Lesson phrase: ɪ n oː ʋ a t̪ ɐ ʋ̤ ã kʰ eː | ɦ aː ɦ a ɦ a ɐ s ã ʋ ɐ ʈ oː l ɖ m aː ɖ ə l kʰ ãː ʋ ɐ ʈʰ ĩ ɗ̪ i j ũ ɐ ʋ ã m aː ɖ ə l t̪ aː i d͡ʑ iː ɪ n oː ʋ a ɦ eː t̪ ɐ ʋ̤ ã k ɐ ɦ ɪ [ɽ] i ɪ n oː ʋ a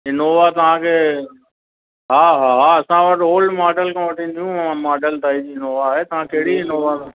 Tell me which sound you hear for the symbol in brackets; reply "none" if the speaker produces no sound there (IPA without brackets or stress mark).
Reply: ɽ